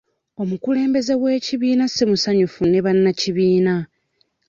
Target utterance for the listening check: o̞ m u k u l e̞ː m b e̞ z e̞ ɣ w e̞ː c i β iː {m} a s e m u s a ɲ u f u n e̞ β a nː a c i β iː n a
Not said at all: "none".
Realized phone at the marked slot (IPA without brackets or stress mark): n